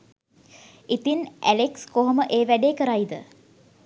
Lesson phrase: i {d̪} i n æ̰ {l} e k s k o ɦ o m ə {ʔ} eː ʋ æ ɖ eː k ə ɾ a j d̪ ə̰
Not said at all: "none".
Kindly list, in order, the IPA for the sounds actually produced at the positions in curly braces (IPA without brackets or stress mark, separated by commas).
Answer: t̪, l, ʔ